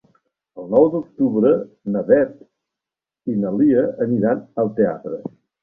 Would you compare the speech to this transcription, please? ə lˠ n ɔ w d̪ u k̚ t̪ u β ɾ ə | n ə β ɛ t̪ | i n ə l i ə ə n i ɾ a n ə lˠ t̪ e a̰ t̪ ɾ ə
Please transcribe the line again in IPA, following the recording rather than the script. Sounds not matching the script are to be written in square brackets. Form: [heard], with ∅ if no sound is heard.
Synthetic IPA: ə lˠ n ɔ w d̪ u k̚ t̪ u β ɾ ə | n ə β ɛ t̪ | i n ə l i ə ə n i ɾ a n ə lˠ t̪ e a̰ t̪ ɾ ə